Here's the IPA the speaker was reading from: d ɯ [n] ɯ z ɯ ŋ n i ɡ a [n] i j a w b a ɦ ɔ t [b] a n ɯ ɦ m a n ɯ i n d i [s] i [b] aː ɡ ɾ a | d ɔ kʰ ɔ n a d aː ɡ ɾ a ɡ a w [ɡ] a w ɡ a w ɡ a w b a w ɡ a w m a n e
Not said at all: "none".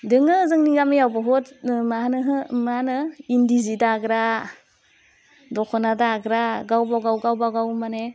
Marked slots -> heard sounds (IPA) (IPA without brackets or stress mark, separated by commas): ŋ, m, m, z, d, b